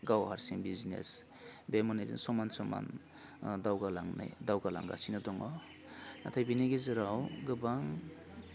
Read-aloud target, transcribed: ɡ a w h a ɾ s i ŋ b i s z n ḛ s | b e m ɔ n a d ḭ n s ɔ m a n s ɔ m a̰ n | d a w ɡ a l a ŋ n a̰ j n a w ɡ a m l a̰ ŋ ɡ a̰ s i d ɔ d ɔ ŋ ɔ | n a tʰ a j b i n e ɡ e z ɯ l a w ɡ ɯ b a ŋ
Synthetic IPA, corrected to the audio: ɡ a w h a ɾ s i ŋ b i z n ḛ s | b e m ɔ n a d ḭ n s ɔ m a n s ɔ m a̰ n | d a w ɡ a l a ŋ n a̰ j d a w ɡ a l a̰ ŋ ɡ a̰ s i n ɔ d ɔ ŋ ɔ | n a tʰ a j b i n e ɡ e z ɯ ɾ a w ɡ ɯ b a ŋ